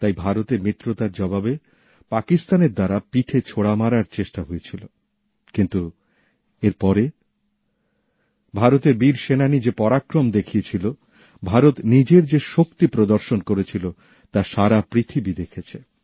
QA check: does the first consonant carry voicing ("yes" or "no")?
no